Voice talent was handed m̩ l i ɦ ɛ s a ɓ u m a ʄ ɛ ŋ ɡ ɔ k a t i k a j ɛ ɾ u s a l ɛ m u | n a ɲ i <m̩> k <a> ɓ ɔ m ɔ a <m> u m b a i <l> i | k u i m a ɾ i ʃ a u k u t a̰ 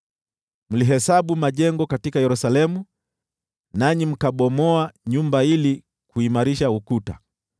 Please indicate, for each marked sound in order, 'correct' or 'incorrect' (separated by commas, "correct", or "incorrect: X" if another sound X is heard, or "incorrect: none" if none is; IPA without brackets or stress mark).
correct, correct, incorrect: ɲ, correct